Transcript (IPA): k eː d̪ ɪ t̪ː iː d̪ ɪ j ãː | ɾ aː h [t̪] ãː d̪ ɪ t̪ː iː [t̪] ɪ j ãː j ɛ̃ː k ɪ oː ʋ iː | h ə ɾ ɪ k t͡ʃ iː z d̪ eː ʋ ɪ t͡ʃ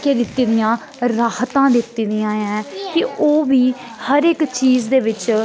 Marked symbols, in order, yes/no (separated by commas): yes, no